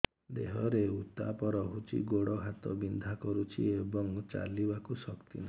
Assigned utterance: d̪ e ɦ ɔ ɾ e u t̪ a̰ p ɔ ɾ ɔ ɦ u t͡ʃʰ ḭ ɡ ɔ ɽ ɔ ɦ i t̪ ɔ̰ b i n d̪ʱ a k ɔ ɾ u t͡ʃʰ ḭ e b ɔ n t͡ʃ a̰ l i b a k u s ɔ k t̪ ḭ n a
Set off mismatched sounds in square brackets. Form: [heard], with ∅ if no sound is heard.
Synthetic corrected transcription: d̪ e ɦ ɔ ɾ e u t̪ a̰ p ɔ ɾ ɔ ɦ u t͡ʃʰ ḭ ɡ [o] ɽ ɔ ɦ [a] t̪ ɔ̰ b i n d̪ʱ a k ɔ ɾ u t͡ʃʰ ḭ e b ɔ [ŋ] t͡ʃ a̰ l i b a k u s ɔ k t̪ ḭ n a